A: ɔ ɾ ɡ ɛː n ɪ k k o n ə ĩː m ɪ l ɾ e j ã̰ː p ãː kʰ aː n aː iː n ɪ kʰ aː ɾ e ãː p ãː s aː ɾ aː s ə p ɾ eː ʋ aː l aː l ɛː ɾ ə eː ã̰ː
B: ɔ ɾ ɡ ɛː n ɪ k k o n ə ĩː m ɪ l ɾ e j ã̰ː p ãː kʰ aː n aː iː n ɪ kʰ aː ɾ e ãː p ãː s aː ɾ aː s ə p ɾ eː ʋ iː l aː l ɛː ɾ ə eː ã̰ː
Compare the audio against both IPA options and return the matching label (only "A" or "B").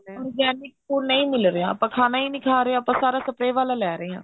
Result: A